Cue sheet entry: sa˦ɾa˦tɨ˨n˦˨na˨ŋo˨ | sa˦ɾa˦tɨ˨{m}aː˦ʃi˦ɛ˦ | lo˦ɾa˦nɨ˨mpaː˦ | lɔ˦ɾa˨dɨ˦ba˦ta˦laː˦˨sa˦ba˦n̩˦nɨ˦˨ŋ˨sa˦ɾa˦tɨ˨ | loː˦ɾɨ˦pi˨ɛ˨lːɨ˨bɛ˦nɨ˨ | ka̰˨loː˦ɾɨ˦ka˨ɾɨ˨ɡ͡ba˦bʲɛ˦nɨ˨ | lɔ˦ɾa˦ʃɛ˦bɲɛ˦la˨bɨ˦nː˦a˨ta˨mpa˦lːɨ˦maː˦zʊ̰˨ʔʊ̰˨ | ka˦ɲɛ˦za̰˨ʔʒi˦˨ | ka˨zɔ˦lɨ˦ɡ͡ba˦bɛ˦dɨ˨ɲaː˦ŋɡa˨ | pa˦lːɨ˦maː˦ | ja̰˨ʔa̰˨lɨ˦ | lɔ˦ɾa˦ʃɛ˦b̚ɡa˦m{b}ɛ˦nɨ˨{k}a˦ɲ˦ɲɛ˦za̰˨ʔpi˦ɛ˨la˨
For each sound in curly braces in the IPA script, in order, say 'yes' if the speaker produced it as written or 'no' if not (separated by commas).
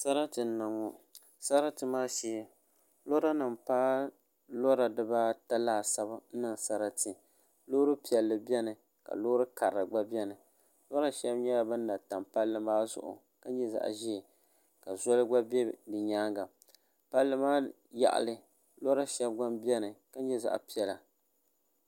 yes, yes, yes